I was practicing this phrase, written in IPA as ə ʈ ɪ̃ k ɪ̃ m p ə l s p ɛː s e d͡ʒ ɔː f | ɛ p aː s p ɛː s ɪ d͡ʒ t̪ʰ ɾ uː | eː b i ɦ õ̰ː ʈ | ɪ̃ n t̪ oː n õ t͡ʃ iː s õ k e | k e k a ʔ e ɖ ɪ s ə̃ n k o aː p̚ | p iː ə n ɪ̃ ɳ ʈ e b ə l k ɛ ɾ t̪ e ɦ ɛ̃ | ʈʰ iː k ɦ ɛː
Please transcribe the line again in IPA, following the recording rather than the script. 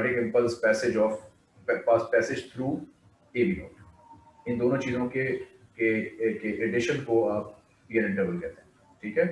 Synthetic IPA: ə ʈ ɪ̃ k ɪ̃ m p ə l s p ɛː s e d͡ʒ ɔː f | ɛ p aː s p ɛː s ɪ d͡ʒ t̪ʰ ɾ uː | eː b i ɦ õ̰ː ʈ | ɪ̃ n d̪ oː n õ t͡ʃ iː z õ k e | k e k e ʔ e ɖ ɪ ʃ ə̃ n k o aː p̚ | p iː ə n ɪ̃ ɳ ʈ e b ə l k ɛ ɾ t̪ e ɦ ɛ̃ | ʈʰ iː k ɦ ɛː